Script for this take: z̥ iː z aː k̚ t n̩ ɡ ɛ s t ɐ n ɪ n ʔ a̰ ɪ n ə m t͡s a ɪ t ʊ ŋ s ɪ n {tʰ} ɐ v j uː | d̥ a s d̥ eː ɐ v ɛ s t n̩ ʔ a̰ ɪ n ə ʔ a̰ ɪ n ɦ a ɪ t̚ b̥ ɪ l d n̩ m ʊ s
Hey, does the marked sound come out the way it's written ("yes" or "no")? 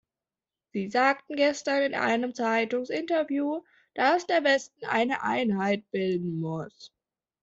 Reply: no